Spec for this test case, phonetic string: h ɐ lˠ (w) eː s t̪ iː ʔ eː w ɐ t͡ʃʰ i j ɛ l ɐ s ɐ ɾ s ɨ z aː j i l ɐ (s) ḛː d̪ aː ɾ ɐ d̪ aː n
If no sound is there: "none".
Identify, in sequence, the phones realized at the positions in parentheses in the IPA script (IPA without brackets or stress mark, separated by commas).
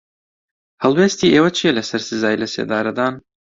w, s